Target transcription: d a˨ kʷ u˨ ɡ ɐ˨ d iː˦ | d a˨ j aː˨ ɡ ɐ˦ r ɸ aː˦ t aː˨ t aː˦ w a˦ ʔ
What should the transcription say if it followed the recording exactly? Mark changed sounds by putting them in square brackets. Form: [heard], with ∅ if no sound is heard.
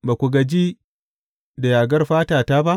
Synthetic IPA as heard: [b] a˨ kʷ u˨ ɡ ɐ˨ [d͡ʒ] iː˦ | d a˨ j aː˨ ɡ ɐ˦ r ɸ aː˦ t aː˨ t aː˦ [b] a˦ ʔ